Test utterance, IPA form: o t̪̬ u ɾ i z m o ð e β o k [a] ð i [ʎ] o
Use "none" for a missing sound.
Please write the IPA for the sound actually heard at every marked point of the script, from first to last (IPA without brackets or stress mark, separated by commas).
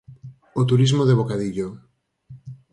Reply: a, ʎ